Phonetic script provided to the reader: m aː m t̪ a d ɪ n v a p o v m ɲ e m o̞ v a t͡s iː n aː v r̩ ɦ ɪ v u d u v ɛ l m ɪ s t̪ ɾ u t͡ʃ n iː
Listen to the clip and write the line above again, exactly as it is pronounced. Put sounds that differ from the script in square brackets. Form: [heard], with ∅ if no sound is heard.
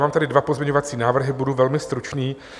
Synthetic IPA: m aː m t̪ a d ɪ [d] v a p o [z] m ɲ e [ɲ] o̞ v a t͡s iː n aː v r̩ ɦ ɪ [b] u d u v ɛ l m ɪ s t̪ ɾ u t͡ʃ n iː